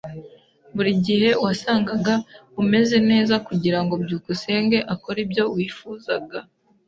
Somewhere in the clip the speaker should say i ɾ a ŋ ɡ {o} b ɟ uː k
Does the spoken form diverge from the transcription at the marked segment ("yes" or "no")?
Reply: no